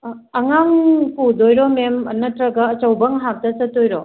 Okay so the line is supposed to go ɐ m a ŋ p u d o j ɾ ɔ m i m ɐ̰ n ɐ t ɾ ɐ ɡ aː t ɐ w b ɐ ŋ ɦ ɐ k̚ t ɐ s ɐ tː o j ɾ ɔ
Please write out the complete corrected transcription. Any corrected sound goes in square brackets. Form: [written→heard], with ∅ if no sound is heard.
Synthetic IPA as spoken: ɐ [m→ŋ] a ŋ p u d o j ɾ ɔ m [i→e] m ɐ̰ n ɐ t ɾ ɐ ɡ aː [t→t͡ʃ] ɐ w b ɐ ŋ ɦ [ɐ→a] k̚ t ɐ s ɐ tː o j ɾ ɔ